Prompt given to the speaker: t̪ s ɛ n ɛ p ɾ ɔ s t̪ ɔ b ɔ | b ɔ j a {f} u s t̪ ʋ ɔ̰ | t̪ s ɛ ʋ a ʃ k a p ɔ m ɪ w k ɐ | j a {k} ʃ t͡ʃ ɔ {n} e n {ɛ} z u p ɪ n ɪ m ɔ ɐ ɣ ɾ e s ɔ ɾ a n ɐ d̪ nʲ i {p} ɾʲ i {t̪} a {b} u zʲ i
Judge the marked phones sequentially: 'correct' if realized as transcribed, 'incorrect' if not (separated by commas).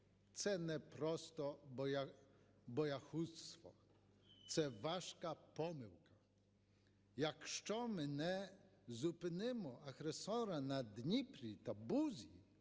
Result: incorrect, correct, incorrect, correct, correct, correct, correct